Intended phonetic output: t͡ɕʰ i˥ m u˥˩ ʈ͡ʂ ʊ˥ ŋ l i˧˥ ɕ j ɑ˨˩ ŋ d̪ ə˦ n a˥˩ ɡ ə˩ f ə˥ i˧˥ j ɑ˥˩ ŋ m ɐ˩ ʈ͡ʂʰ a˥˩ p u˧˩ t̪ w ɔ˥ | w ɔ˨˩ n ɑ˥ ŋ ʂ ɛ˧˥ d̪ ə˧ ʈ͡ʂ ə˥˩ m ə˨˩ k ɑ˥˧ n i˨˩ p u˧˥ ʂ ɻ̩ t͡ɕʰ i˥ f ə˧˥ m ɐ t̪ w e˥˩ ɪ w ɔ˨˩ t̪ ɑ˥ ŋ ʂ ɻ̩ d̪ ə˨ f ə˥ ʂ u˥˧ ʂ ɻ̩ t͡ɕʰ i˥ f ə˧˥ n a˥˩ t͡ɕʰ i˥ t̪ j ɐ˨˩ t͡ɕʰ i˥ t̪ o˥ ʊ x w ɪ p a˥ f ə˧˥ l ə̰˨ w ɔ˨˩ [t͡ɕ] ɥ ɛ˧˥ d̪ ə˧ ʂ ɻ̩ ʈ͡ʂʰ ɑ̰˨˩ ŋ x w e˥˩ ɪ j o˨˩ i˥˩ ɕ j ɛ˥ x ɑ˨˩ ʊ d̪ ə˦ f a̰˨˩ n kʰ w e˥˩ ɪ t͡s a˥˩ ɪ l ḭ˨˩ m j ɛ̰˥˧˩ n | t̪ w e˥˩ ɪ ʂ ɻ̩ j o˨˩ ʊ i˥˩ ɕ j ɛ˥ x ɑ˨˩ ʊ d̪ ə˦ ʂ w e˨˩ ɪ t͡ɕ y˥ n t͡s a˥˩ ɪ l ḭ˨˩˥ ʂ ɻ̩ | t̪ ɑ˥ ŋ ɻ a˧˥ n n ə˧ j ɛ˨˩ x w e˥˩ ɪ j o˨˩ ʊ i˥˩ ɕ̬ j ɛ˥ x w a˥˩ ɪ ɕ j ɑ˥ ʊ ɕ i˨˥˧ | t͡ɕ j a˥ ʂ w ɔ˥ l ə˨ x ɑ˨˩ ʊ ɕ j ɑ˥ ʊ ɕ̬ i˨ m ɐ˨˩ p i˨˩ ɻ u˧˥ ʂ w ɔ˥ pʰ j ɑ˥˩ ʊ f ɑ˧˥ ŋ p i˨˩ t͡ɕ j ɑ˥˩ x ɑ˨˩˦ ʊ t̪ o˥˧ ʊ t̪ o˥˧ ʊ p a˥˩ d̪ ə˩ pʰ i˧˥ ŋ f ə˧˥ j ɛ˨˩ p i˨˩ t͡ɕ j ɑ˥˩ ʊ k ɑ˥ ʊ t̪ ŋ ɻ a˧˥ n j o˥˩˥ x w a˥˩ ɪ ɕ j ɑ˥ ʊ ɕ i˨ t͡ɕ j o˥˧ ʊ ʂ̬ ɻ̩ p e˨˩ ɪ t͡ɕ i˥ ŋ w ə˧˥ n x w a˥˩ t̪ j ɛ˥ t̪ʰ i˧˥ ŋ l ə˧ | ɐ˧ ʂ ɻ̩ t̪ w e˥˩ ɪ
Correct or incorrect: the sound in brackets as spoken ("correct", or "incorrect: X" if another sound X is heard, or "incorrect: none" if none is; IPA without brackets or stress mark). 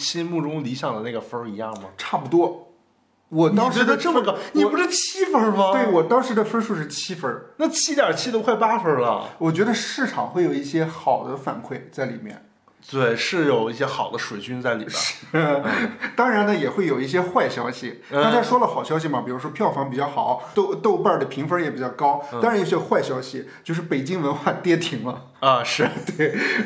correct